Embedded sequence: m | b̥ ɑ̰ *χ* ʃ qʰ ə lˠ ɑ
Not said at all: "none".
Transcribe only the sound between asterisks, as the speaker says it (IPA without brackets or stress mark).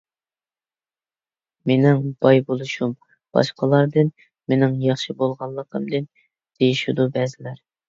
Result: none